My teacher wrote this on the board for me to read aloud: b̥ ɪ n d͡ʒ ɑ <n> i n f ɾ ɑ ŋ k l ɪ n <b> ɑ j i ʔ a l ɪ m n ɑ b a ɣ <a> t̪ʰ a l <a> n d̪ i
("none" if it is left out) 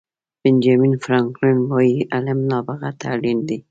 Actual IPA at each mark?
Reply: m, w, a, i

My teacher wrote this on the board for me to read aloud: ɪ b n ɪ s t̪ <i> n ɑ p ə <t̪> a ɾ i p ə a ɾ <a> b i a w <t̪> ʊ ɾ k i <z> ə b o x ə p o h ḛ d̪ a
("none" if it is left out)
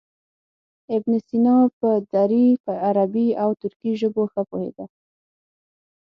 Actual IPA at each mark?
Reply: i, d̪, a, t̪, ʒ

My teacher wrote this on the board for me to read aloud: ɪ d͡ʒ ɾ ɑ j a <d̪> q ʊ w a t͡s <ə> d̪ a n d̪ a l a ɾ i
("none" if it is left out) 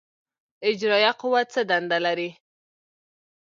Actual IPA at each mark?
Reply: none, ə

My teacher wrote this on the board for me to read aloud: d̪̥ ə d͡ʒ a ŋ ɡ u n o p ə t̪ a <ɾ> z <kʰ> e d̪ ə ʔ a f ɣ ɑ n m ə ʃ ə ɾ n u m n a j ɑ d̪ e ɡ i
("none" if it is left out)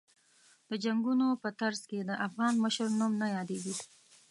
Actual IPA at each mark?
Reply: ɾ, k

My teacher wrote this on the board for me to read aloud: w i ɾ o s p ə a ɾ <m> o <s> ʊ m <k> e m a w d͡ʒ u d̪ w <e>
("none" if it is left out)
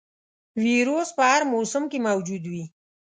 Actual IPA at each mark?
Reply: m, s, k, i

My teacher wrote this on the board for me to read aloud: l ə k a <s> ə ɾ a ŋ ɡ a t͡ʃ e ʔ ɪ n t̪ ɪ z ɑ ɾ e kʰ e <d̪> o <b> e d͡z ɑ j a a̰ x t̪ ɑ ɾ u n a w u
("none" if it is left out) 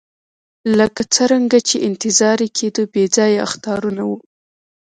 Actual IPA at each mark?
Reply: t͡s, d̪, b

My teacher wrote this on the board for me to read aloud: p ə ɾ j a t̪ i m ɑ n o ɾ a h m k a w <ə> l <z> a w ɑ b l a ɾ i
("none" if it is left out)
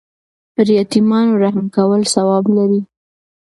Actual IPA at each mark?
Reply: ə, s

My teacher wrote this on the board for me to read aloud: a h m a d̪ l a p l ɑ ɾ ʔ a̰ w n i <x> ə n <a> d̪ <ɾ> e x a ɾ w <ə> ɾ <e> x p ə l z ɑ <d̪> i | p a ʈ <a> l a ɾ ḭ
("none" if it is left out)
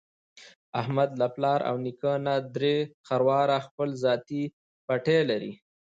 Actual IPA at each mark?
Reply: k, a, ɾ, ɑ, a, t̪, e

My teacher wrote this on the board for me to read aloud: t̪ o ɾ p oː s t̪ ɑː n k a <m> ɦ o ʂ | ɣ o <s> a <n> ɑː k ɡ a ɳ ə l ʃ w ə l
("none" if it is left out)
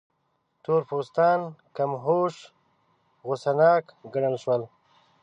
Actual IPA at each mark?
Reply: m, s, n

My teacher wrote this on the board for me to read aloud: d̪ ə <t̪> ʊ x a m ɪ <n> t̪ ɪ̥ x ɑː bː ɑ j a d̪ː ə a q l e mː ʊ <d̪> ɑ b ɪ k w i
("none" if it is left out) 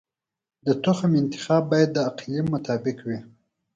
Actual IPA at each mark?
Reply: t̪, n, t̪

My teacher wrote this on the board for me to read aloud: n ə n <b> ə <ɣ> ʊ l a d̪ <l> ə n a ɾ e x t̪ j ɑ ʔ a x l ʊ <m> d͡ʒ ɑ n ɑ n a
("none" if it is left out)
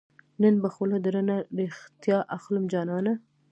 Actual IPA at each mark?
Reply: b, x, ɾ, m

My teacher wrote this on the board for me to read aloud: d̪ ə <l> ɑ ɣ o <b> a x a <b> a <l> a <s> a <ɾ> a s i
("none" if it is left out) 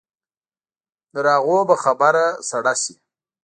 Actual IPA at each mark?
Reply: ɾ, b, b, ɾ, s, ɽ

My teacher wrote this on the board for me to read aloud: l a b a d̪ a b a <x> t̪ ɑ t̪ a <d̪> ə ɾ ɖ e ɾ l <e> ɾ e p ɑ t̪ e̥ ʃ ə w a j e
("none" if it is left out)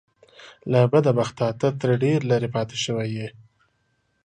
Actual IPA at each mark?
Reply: x, t̪, a

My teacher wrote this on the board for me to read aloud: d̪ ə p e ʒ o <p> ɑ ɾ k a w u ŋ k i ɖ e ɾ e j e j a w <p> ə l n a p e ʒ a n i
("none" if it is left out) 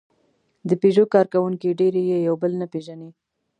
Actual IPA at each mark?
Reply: k, b

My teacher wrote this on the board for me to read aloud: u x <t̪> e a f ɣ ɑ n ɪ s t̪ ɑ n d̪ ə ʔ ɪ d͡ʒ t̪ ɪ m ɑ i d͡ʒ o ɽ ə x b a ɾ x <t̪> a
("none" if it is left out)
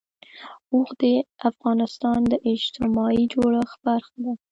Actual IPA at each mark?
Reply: d̪, d̪

